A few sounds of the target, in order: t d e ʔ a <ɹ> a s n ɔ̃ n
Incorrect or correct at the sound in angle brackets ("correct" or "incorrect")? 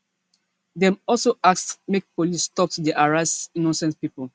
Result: correct